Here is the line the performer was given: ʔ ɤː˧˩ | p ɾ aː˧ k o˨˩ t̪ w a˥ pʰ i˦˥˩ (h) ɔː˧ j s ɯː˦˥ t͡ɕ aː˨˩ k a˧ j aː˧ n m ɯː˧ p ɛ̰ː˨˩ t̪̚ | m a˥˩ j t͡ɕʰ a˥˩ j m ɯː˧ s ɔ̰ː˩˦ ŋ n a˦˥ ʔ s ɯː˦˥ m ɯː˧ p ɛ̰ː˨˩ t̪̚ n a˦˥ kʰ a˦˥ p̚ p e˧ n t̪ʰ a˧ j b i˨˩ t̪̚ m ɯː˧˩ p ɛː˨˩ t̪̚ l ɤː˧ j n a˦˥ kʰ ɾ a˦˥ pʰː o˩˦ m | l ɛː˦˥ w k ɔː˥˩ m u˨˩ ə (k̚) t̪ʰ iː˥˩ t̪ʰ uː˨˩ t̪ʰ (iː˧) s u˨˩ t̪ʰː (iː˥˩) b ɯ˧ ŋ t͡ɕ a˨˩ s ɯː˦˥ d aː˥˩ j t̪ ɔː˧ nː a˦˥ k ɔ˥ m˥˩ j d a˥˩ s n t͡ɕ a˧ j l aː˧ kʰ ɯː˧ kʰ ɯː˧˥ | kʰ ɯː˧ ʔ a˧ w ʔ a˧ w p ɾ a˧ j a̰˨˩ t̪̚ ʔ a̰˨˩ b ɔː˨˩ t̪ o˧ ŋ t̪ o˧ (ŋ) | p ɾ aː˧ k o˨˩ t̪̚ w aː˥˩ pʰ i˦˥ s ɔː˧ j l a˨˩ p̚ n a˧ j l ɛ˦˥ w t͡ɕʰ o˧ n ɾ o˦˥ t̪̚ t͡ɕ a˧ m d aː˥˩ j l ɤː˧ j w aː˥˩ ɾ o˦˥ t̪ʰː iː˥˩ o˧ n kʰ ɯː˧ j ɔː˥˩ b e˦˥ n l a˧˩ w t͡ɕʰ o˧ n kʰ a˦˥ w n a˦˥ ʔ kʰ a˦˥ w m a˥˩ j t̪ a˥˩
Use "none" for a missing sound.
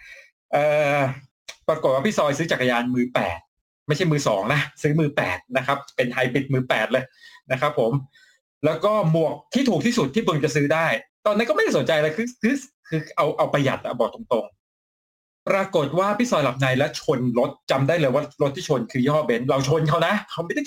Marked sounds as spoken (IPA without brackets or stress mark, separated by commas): s, k̚, iː˥˩, iː˥˩, ŋ